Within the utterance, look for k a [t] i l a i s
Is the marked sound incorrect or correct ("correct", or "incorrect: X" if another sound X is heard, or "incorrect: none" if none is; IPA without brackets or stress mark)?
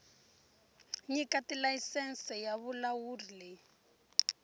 correct